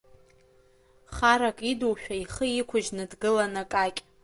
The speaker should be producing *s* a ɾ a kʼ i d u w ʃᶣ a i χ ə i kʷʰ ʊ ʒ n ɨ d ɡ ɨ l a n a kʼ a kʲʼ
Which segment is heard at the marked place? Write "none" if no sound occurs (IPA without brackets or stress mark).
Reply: χ